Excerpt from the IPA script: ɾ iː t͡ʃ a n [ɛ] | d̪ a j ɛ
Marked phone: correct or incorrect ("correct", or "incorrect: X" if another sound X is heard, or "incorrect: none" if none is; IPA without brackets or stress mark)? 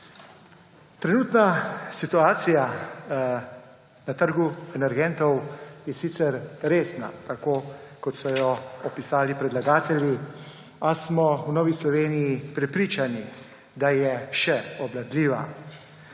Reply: incorrect: i